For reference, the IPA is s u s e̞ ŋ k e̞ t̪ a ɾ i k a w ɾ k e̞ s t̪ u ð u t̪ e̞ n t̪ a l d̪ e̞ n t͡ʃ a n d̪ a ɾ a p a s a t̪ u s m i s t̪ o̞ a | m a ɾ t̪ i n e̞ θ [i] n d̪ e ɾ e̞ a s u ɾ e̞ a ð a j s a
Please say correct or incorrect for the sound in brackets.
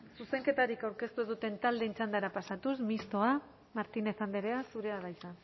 incorrect